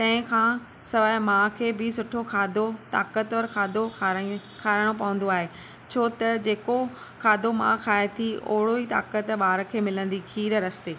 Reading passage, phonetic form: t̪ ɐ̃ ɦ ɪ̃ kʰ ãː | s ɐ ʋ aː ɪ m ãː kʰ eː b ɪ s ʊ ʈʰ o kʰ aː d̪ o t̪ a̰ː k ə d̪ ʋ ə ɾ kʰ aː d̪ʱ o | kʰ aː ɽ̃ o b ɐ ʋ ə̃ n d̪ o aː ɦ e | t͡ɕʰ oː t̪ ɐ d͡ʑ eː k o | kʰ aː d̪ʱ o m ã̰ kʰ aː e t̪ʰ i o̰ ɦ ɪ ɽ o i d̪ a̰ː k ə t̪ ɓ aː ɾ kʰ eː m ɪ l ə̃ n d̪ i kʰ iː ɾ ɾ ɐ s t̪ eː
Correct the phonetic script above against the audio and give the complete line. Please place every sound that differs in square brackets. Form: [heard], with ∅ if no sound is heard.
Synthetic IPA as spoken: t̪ ɐ̃ ɦ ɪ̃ kʰ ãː | s ɐ ʋ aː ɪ m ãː kʰ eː b ɪ s ʊ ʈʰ o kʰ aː d̪ o t̪ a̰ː k ə [t̪] ʋ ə ɾ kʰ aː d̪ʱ o | kʰ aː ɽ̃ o [p] ɐ ʋ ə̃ n d̪ o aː ɦ e | t͡ɕʰ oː t̪ ɐ d͡ʑ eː k o | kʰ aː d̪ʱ o m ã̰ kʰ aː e t̪ʰ i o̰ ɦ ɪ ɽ o i [t̪] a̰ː k ə t̪ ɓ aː ɾ kʰ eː m ɪ l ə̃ n d̪ i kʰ iː ɾ ɾ ɐ s t̪ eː